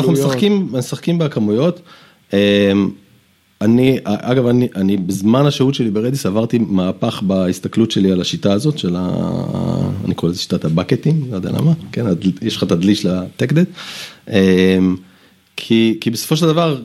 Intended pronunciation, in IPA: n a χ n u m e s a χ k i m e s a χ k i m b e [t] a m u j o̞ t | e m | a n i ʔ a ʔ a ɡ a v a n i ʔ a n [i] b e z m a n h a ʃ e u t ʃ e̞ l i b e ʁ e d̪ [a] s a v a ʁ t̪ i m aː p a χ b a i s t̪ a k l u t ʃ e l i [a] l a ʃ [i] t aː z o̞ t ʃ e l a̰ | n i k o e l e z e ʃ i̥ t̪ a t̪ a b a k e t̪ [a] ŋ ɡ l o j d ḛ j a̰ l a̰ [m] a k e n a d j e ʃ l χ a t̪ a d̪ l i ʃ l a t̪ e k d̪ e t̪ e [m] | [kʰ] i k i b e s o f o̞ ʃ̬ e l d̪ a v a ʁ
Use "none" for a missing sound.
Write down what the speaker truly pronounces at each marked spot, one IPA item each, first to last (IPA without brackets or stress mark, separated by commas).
k, i, i, a, i, i, m, m, kʰ